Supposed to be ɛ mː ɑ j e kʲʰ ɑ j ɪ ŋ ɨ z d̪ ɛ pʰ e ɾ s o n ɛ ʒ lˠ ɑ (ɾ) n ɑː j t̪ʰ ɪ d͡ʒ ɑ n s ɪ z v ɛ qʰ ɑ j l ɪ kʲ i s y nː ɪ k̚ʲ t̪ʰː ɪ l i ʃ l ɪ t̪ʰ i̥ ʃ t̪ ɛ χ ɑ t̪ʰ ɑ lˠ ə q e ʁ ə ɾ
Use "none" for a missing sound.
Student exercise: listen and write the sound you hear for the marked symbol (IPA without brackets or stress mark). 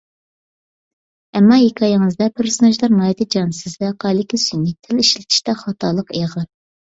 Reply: ɾ